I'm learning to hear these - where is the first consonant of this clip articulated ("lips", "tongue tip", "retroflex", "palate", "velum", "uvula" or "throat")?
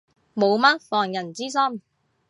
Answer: lips